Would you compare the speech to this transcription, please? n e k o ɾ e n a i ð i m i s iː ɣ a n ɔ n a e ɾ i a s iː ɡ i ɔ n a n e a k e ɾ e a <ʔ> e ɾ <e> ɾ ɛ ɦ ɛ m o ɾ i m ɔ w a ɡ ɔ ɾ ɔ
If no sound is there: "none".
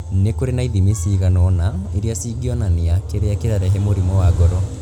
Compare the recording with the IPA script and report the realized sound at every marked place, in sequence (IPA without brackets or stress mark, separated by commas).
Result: k, a